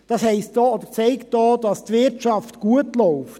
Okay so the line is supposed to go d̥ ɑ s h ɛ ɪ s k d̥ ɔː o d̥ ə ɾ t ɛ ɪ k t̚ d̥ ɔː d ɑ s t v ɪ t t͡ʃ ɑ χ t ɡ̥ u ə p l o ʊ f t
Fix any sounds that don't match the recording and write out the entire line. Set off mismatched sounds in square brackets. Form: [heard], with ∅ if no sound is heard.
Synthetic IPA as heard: d̥ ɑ s h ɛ ɪ s [t] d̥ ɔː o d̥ ə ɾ [t͡s] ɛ ɪ k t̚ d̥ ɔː d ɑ s t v ɪ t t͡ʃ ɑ [f] t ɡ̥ u ə [t] l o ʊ f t